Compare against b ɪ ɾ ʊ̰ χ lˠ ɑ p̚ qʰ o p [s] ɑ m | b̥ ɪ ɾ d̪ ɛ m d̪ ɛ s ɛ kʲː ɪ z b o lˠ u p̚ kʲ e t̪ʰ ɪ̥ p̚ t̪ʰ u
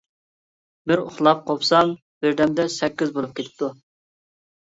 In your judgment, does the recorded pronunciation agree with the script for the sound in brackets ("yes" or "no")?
yes